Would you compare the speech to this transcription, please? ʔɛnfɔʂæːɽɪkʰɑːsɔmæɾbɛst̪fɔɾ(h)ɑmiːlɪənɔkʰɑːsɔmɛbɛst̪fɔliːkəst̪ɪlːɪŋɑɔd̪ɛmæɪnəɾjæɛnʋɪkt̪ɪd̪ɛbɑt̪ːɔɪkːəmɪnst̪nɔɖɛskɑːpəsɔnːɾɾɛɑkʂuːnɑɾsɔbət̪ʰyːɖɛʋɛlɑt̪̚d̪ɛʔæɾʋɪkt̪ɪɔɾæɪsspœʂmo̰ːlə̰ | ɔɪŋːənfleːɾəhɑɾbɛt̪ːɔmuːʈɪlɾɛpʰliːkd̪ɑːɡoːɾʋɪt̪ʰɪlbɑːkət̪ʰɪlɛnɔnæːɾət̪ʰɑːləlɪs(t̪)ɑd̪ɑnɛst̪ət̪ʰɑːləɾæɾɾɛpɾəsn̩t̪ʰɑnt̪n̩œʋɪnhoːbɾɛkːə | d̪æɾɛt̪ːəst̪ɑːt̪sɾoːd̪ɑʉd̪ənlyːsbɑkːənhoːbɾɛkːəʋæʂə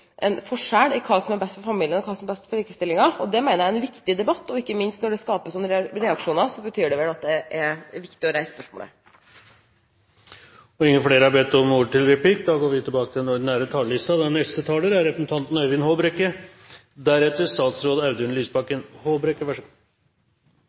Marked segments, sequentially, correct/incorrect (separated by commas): incorrect, correct